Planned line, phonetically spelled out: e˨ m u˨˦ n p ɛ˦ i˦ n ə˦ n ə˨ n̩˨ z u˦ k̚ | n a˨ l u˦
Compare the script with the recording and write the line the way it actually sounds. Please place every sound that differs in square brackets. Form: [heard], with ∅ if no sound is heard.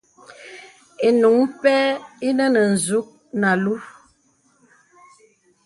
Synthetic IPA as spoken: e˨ [n] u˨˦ [ŋ] p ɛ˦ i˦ n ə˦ n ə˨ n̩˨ z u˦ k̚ | n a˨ l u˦